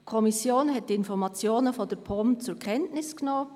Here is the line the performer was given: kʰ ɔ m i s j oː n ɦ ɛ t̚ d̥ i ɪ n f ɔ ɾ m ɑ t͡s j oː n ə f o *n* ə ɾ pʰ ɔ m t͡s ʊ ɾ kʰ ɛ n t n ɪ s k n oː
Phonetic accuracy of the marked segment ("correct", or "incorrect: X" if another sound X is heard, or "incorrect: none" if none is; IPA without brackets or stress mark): incorrect: d